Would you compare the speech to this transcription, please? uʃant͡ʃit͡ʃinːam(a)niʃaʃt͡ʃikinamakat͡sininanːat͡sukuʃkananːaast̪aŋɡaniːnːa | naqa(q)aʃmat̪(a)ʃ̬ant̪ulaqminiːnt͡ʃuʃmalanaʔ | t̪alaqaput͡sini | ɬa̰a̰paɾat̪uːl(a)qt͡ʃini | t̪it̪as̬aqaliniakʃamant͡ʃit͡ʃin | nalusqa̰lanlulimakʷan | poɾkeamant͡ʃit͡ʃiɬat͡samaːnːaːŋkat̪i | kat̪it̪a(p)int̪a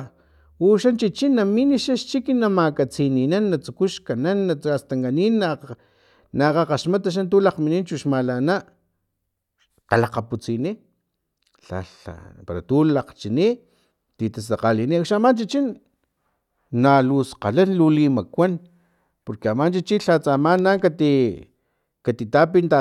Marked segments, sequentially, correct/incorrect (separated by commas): incorrect, correct, correct, correct, correct